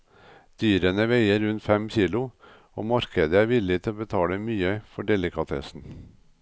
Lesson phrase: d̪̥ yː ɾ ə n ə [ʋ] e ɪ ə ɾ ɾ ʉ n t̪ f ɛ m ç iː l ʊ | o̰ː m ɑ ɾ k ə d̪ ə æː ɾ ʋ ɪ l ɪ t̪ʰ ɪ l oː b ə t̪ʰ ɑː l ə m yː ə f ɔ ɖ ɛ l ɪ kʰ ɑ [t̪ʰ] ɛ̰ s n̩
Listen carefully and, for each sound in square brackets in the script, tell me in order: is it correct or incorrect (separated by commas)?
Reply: correct, correct